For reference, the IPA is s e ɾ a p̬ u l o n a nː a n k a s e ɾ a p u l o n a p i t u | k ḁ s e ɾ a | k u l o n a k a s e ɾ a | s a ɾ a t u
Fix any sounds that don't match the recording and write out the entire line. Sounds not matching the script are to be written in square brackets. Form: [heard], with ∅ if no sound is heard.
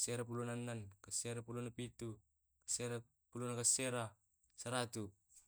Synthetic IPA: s e ɾ a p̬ u l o n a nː a n k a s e ɾ a p u l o n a p i t u | k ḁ s e ɾ a | [p] u l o n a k a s e ɾ a | s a ɾ a t u